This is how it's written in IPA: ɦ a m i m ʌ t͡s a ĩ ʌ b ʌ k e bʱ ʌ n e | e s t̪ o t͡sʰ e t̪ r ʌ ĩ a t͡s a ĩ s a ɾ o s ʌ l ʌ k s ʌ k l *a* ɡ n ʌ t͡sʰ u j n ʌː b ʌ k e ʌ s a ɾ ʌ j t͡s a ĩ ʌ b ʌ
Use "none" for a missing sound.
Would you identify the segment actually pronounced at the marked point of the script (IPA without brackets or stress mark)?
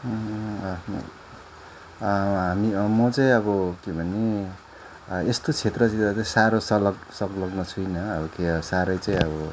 ʌ